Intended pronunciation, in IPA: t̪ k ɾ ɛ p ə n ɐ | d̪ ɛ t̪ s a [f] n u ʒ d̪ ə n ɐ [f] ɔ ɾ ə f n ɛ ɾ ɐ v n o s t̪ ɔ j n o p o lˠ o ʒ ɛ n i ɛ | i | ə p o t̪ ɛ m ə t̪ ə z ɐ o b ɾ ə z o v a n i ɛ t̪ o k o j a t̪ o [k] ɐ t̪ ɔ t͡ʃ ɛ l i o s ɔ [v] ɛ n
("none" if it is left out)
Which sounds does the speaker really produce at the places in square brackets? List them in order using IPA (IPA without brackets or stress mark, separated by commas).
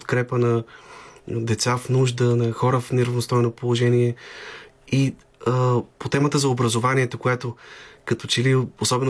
f, x, k, b